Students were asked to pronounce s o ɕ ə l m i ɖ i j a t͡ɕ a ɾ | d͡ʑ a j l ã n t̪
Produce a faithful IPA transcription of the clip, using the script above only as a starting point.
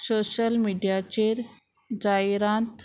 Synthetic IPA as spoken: s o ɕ ə l m i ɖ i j a t͡ɕ e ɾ | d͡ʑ a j ɾ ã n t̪